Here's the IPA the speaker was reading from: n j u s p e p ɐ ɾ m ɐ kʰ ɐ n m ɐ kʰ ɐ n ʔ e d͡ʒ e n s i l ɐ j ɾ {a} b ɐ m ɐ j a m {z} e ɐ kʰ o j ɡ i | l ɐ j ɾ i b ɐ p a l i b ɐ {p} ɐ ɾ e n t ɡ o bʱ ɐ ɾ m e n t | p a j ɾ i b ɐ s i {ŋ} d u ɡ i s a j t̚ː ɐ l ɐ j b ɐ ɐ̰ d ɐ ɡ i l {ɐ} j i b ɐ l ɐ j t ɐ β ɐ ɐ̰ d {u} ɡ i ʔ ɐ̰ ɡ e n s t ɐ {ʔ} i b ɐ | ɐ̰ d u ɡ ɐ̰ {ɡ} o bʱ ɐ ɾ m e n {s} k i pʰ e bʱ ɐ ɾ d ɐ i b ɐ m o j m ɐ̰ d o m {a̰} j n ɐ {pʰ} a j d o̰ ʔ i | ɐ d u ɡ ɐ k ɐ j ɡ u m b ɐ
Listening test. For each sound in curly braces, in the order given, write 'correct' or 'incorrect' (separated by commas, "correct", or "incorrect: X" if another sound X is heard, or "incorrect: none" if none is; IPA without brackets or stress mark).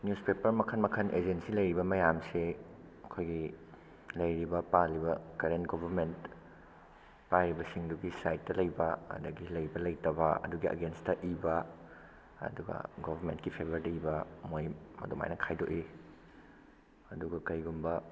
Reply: incorrect: i, incorrect: s, incorrect: k, correct, correct, correct, correct, correct, incorrect: t, correct, incorrect: kʰ